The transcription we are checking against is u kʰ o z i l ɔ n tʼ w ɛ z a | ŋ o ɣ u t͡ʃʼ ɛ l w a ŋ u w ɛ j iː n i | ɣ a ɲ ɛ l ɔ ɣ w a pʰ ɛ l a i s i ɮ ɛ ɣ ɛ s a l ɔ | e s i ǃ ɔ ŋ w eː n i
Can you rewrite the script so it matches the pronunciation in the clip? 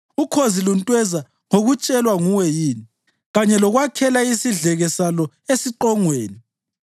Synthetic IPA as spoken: u kʰ o z i l u n tʼ w ɛ z a | ŋ o ɣ u t͡ʃʼ ɛ l w a ŋ u w ɛ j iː n i | ɣ a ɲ ɛ l ɔ ɣ w a kʰ ɛ l a i s i ɮ ɛ ɣ ɛ s a l ɔ | e s i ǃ ɔ ŋ w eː n i